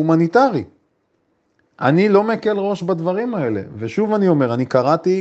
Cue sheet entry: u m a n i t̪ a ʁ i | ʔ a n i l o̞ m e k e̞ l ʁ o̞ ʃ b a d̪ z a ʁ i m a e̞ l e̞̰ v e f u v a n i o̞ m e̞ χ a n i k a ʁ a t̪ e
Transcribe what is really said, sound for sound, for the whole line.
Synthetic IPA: u m a n i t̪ a ʁ i | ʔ a n i l o̞ m e k e̞ l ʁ o̞ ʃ b a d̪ v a ʁ i m a e̞ l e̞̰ v e ʃ u v a n i o̞ m e̞ ʁ a n i k a ʁ a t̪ i